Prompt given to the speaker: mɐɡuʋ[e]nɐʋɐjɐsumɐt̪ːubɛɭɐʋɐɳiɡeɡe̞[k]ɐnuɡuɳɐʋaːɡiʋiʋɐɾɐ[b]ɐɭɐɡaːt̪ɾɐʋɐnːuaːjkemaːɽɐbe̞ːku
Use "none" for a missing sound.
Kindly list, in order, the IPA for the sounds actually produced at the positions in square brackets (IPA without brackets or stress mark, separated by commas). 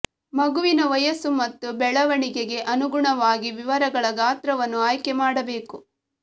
i, ʔ, ɡ